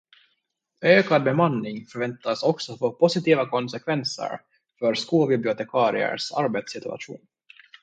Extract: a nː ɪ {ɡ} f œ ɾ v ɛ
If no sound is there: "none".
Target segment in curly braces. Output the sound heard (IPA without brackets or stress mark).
ŋ